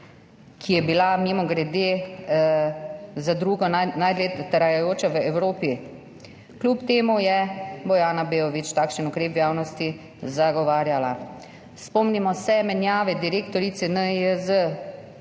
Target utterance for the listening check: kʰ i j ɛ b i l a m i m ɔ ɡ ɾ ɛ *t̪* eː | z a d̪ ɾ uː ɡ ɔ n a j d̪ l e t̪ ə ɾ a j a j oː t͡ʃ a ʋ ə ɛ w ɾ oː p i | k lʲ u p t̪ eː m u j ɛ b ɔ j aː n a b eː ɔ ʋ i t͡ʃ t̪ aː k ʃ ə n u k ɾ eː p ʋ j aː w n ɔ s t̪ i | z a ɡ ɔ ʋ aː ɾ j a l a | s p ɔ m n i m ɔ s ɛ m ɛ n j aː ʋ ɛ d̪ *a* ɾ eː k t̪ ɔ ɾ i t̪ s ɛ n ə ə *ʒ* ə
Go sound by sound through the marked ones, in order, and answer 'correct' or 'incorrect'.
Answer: incorrect: d̪, incorrect: i, incorrect: z

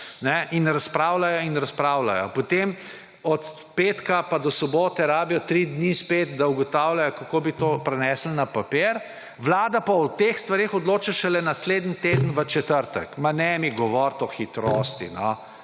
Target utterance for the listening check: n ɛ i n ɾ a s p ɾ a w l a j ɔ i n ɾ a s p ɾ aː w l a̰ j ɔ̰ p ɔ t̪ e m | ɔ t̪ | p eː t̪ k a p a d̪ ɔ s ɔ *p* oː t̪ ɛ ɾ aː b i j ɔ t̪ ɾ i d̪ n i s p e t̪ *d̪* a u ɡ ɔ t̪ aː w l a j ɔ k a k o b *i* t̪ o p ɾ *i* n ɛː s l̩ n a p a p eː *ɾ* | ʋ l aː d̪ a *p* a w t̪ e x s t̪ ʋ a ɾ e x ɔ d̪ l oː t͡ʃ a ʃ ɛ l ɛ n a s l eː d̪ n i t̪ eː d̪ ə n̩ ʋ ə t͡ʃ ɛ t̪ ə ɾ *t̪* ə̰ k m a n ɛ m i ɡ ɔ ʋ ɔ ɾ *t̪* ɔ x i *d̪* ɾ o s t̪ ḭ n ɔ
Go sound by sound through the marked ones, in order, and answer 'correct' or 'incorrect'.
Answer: incorrect: b, correct, correct, incorrect: ɛ, correct, correct, correct, correct, incorrect: t̪

